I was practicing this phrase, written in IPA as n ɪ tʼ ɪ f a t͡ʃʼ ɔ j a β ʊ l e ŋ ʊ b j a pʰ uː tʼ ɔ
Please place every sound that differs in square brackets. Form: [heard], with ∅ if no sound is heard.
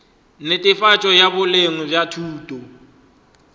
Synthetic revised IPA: n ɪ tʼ ɪ f a t͡ʃʼ ɔ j a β ʊ l e ŋ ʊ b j a [tʰ] uː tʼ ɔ